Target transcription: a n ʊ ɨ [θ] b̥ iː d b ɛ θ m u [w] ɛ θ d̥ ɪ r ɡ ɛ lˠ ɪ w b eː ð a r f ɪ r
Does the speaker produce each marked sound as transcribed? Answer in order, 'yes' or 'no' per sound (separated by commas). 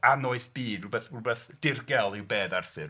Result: yes, no